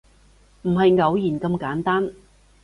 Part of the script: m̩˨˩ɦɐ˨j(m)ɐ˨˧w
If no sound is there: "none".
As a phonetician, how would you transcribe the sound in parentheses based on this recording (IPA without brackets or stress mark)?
ŋ